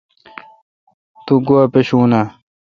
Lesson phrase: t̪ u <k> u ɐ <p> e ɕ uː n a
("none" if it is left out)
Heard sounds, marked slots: ɡ, p

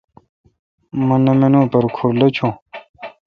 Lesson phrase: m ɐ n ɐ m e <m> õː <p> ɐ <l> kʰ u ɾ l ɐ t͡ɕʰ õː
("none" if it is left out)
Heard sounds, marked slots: n, p, ɾ

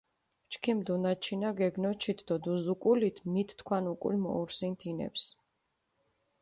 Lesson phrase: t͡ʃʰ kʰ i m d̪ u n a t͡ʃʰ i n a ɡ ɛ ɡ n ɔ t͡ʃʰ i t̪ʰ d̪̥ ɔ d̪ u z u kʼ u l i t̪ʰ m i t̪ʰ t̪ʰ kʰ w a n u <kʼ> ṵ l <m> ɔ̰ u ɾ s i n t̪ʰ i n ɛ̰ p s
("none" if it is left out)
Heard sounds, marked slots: kʼ, m

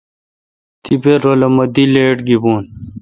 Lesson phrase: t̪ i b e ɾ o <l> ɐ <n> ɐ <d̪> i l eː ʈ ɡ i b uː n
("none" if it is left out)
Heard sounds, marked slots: l, m, d̪

